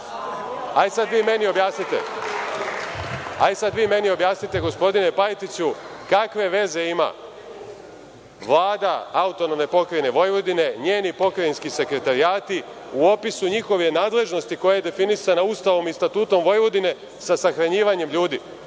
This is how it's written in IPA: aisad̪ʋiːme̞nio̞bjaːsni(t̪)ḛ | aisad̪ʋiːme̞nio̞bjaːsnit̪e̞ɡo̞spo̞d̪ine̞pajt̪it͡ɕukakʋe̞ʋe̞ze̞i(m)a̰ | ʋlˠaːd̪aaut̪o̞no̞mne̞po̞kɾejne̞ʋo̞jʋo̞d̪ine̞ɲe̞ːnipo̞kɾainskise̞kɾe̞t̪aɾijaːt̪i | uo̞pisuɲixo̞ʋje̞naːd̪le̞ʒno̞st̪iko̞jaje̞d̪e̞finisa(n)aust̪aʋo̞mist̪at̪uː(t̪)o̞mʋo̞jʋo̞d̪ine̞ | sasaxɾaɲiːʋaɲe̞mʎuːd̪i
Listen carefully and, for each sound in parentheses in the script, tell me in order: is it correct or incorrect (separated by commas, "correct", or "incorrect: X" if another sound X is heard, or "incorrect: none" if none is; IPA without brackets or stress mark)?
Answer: correct, correct, correct, correct